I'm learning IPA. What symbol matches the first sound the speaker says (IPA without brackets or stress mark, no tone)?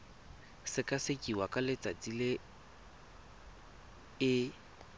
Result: s